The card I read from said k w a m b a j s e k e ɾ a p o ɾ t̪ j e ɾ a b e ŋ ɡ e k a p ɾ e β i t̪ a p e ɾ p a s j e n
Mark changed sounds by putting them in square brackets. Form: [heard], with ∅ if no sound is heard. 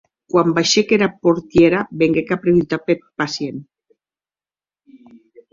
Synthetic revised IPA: k w a m b a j [ʃ] e k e ɾ a p o ɾ t̪ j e ɾ a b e ŋ ɡ e k a p ɾ e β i t̪ a p e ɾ p a s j e n